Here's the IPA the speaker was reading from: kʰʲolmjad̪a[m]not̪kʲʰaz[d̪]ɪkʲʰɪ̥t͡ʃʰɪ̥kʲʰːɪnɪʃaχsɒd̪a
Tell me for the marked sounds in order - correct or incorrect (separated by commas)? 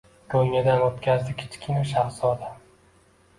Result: incorrect, correct